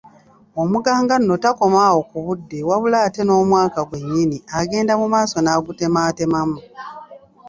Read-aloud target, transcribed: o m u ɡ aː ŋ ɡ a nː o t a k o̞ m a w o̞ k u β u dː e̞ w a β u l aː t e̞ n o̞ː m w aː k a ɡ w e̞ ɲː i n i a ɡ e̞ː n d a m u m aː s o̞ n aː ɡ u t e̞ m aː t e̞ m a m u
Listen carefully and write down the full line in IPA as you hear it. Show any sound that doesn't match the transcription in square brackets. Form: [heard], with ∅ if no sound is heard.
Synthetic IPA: o m u ɡ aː ŋ ɡ a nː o t a k o̞ m a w o̞ k u β u dː e̞ w a β u l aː t e̞ n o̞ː m w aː k a ɡ w e̞ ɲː i n i a ɡ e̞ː n d a m u m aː s o̞ n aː ɡ u t e̞ m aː t e̞ m a m u